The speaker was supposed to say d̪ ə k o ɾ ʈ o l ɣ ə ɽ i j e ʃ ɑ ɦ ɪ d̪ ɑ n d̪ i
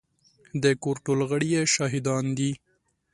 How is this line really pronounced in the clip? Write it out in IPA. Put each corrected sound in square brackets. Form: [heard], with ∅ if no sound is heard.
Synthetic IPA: d̪ ə k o ɾ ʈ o l ɣ ə ɽ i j e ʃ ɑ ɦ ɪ d̪ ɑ n d̪ i